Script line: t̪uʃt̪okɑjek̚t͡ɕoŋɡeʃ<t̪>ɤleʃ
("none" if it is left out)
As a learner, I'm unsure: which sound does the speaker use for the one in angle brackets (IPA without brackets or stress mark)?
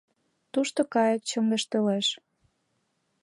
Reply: t̪